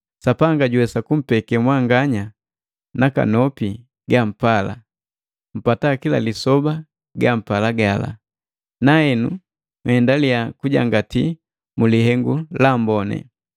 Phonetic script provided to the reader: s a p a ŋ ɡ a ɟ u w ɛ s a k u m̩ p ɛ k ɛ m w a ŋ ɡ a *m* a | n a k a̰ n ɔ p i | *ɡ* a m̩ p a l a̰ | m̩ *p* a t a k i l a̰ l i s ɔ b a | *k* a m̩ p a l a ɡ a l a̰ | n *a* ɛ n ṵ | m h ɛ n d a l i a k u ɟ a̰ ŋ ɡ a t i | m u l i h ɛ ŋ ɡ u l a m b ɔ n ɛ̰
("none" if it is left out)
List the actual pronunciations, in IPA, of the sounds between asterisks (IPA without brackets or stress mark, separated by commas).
ɲ, ɡ, p, ɡ, a